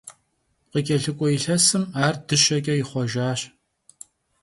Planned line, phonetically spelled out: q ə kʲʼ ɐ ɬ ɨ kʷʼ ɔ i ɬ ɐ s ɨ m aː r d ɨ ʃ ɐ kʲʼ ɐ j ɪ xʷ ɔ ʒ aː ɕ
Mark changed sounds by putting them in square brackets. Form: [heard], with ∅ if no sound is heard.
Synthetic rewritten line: q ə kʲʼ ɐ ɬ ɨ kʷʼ ɔ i ɬ ɐ s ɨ m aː r d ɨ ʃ ɐ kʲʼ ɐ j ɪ [χʷ] ɔ ʒ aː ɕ